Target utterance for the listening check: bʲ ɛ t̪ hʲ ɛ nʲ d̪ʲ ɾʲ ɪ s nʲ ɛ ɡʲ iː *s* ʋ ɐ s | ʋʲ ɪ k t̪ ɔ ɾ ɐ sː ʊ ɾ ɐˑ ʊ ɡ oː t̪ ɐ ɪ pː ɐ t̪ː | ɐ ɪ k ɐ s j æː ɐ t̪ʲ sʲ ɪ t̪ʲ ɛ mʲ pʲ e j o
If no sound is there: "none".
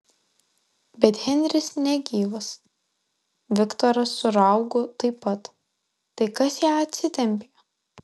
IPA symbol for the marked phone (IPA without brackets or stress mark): none